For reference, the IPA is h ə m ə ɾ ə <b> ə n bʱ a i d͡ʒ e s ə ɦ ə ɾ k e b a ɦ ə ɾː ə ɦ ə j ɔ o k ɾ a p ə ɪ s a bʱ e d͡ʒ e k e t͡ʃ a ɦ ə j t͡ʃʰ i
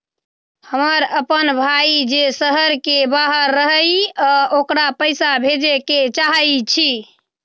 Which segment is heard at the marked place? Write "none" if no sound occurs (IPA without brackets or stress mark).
p